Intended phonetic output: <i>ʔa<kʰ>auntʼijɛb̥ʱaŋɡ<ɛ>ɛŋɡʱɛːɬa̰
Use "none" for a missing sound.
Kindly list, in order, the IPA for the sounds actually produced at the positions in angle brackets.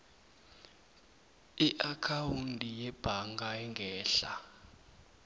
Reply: i, kʰ, a

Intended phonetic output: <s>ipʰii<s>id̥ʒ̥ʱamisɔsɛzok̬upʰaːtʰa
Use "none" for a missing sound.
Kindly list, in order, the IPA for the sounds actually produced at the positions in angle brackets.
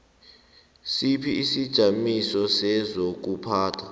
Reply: s, s

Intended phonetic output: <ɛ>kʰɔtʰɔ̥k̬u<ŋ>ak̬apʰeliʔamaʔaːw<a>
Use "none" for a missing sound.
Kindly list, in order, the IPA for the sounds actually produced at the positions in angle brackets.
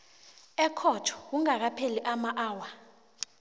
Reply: ɛ, ŋ, a

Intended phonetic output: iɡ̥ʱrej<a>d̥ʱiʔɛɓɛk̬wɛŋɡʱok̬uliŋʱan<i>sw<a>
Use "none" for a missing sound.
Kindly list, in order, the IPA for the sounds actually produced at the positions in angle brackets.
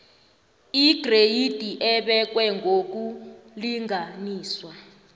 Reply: i, iː, a

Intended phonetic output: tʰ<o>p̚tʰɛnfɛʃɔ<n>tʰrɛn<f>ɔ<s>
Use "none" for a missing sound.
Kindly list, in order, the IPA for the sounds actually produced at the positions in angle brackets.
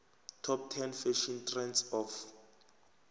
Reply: ɔ, n, s, f

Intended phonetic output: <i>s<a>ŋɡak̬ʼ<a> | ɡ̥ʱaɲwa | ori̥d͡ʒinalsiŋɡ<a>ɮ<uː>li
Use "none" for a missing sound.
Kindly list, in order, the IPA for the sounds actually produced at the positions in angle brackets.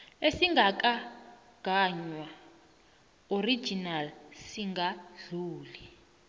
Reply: e, i, a, a, uː

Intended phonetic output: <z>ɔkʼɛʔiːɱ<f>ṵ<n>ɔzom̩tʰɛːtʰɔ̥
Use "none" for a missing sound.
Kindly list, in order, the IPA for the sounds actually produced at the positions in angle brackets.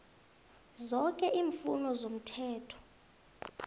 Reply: z, f, n

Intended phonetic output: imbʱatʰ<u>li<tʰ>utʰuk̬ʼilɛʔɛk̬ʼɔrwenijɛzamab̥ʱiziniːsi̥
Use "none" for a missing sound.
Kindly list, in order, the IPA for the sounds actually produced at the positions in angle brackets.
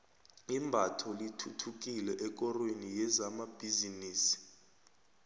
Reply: ɔ, tʰ

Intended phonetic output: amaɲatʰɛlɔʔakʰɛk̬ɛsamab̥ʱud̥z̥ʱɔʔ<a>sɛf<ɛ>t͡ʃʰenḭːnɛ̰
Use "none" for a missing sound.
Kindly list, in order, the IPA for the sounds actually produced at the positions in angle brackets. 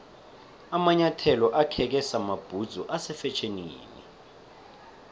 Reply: a, ɛ

